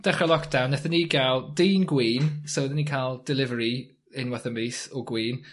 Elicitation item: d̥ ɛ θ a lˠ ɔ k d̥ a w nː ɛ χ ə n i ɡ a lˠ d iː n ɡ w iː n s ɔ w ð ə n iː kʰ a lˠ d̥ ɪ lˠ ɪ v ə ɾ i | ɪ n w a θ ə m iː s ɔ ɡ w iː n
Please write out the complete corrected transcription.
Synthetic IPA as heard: d̥ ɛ χ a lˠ ɔ k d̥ a w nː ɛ θ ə n i ɡ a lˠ d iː n ɡ w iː n s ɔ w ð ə n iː kʰ a lˠ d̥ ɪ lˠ ɪ v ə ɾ i | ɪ n w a θ ə m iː s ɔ ɡ w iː n